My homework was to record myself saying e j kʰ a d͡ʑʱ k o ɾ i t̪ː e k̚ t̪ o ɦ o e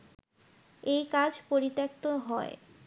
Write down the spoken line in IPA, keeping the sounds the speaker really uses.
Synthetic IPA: e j k a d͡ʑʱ p o ɾ i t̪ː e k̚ t̪ o ɦ ɔ e